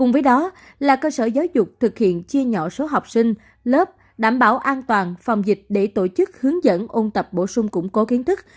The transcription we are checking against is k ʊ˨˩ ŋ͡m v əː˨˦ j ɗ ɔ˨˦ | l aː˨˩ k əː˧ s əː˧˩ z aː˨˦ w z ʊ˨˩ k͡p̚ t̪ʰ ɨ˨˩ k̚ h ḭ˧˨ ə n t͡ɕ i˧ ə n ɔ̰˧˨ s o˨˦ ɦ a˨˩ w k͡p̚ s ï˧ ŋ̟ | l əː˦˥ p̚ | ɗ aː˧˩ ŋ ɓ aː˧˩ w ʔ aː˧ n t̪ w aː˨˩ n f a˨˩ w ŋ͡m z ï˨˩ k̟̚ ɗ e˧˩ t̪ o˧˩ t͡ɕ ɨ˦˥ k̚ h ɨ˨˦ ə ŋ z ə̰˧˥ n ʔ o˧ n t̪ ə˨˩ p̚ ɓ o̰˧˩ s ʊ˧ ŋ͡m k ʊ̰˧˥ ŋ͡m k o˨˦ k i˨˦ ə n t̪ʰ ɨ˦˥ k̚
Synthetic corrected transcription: k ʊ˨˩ ŋ͡m v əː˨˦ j ɗ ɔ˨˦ | l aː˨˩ k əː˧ s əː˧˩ z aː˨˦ w z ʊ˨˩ k͡p̚ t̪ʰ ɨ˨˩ k̚ h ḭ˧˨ ə n t͡ɕ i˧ ə ɲ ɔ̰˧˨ s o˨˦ ɦ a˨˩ w k͡p̚ s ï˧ ŋ̟ | l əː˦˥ p̚ | ɗ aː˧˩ m ɓ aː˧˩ w ʔ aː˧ n t̪ w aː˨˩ n f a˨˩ w ŋ͡m z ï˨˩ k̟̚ ɗ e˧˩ t̪ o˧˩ t͡ɕ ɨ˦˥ k̚ h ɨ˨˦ ə ŋ z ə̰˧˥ n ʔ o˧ n t̪ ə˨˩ p̚ ɓ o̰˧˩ s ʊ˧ ŋ͡m k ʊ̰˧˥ ŋ͡m k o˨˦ k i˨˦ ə n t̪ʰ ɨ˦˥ k̚